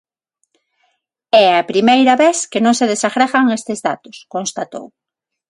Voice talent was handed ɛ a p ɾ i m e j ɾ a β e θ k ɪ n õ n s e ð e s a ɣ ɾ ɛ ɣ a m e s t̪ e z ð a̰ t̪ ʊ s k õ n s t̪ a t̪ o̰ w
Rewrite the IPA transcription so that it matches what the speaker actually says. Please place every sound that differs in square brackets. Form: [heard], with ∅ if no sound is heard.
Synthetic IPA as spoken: ɛ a p ɾ i m e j ɾ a β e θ k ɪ n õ [ŋ] s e ð e s a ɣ ɾ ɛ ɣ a [ŋ] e s t̪ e z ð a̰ t̪ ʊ s k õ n s t̪ a t̪ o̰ w